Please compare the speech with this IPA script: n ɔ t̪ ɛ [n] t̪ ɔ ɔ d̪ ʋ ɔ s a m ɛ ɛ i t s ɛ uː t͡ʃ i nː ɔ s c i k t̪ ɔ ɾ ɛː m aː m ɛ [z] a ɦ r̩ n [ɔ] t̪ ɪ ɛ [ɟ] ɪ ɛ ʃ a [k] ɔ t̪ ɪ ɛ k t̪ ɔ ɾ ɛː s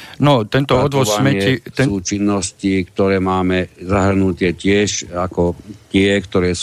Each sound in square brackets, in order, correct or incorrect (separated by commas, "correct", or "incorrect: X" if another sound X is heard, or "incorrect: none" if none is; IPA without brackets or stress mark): correct, correct, incorrect: u, incorrect: c, correct